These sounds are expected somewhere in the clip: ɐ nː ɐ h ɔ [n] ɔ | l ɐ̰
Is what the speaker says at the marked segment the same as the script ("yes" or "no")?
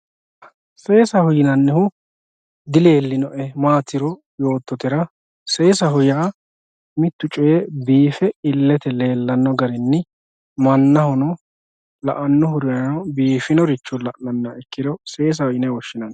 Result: yes